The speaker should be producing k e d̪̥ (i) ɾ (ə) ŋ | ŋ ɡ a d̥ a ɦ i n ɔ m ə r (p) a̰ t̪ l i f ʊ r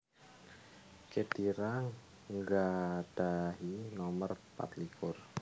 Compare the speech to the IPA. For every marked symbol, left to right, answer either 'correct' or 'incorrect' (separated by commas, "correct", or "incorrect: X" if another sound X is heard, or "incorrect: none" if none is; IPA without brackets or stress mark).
correct, incorrect: a, correct